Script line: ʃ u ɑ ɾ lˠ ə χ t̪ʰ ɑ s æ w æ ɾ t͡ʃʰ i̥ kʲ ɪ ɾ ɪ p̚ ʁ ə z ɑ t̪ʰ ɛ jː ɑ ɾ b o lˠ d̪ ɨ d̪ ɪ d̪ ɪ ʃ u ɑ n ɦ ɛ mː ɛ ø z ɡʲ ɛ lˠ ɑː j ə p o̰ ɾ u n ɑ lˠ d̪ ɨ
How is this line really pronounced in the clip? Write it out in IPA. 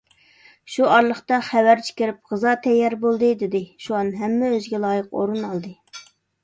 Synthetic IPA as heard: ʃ u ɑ ɾ lˠ ə χ t̪ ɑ χ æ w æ ɾ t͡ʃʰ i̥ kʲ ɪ ɾ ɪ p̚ ʁ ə z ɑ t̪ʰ ɛ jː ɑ ɾ b o lˠ d̪ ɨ d̪ ɪ d̪ ɪ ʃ u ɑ n ɦ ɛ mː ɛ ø z ɡʲ ɛ lˠ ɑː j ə q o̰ ɾ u n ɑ lˠ d̪ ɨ